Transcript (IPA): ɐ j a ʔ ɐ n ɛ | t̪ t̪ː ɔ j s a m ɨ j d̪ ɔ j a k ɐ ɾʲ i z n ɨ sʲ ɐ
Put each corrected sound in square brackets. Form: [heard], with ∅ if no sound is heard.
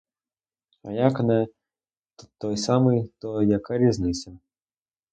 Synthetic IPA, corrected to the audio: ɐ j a [k] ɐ n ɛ | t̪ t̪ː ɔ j s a m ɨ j [t̪] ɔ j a k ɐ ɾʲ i z n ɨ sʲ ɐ